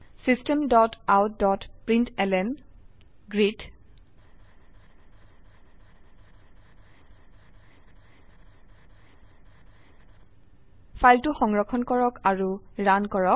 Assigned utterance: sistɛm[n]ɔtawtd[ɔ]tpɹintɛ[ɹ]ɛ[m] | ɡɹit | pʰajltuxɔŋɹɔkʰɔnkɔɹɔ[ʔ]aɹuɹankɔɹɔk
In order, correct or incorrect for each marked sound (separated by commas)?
incorrect, correct, incorrect, incorrect, incorrect